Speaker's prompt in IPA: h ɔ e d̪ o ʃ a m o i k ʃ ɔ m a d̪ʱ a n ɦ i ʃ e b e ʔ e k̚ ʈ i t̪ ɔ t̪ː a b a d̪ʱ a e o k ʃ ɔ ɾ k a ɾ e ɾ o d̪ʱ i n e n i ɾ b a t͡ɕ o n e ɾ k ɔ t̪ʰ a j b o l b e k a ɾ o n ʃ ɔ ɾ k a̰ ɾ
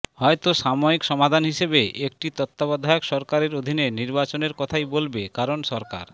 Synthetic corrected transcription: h ɔ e t̪ o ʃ a m o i k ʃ ɔ m a d̪ʱ a n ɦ i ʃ e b e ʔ e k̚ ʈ i t̪ ɔ t̪ː a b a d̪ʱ a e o k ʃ ɔ ɾ k a ɾ e ɾ o d̪ʱ i n e n i ɾ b a t͡ɕ o n e ɾ k ɔ t̪ʰ a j b o l b e k a ɾ o n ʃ ɔ ɾ k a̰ ɾ